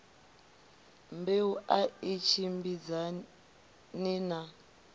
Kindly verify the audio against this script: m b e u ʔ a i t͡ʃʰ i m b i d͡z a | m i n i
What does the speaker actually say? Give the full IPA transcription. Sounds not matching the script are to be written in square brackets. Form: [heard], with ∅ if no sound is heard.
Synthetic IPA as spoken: m b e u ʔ a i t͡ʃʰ i m b i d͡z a | [n] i n [a]